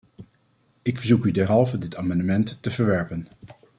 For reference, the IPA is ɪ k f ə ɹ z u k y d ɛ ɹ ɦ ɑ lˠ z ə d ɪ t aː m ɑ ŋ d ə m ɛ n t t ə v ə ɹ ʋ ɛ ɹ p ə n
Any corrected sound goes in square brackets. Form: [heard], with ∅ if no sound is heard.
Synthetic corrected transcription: ɪ k f ə ɹ z u k y d ɛ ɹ ɦ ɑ lˠ [v] ə d ɪ t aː m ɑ [n] d ə m ɛ n t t ə v ə ɹ ʋ ɛ ɹ p ə n